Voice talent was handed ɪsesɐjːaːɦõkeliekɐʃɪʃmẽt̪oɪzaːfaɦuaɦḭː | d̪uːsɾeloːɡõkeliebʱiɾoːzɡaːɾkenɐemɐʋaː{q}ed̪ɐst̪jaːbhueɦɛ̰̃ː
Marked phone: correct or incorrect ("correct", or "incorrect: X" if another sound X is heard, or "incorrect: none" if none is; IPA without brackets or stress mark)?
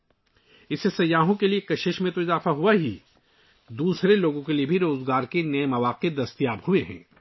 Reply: correct